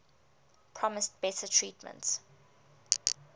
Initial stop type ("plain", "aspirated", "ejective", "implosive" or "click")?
aspirated